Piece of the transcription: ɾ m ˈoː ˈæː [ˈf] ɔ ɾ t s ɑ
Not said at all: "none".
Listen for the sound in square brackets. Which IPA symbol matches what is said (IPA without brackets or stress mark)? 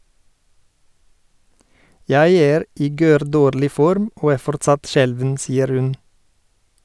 f